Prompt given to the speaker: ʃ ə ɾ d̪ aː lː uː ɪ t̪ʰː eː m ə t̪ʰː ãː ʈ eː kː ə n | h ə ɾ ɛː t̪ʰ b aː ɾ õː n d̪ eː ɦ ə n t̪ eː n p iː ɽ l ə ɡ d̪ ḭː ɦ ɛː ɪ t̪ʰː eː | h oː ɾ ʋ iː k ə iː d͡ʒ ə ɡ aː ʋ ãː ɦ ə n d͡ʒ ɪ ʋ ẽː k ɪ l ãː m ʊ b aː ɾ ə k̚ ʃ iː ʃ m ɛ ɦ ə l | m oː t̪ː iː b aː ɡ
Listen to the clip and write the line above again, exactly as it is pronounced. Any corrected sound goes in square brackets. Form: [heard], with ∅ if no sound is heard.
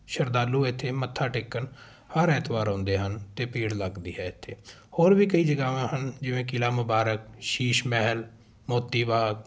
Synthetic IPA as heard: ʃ ə ɾ d̪ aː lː uː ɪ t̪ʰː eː m ə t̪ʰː [aː] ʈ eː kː ə n | h ə ɾ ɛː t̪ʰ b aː ɾ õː n d̪ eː ɦ ə n t̪ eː [∅] p iː ɽ l ə ɡ d̪ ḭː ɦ ɛː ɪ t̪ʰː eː | h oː ɾ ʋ iː k ə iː d͡ʒ ə ɡ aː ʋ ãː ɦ ə n d͡ʒ ɪ ʋ ẽː k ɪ l [aː] m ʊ b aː ɾ ə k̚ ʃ iː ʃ m ɛ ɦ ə l | m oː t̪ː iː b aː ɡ